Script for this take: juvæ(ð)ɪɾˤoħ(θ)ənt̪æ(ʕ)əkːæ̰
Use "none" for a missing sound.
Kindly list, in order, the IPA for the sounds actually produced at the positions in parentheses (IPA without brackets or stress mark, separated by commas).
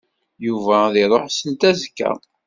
ð, s, z